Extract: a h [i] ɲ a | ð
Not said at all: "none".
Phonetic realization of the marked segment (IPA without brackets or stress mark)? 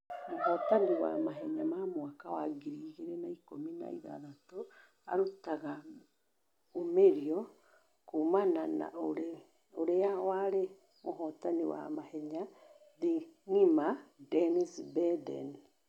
ɛ